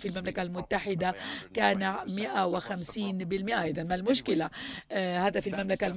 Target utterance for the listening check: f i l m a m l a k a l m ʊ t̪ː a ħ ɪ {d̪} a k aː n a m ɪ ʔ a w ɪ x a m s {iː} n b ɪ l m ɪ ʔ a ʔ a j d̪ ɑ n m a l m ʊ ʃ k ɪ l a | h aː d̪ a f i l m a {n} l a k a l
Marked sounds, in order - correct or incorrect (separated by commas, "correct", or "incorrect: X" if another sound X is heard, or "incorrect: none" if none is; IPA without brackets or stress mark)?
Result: correct, correct, incorrect: m